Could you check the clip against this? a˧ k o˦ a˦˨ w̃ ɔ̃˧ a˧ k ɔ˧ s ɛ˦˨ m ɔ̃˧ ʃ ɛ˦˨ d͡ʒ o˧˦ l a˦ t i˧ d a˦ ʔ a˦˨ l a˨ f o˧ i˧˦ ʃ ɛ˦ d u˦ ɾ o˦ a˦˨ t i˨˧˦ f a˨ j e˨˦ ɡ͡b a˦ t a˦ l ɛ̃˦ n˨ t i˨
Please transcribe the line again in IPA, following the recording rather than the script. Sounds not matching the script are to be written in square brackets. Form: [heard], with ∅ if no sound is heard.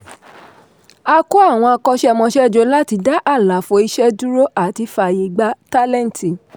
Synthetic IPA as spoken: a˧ k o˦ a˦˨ w̃ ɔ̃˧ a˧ k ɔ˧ [ʃ] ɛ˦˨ m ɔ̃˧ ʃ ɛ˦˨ d͡ʒ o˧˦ l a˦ t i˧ d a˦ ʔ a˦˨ l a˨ f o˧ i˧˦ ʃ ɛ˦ d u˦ ɾ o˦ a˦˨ t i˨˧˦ f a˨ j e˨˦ ɡ͡b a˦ t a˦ l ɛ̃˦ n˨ t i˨